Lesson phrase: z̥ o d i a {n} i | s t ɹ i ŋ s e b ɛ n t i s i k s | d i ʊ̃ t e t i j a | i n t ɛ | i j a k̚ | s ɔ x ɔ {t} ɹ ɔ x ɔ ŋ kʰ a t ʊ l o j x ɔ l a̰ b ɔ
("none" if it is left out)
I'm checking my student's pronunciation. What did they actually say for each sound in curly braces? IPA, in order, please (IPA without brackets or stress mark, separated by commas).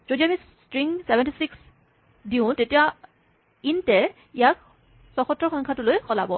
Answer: m, t